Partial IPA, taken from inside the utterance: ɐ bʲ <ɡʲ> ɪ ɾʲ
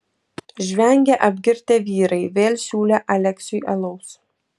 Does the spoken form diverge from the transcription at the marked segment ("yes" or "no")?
no